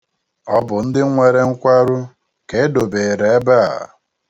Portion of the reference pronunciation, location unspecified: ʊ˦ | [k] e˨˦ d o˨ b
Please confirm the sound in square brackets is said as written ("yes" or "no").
yes